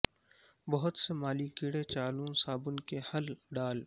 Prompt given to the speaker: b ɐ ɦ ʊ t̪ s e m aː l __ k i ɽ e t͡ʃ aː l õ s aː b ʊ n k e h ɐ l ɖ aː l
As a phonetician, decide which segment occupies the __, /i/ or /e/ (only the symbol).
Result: i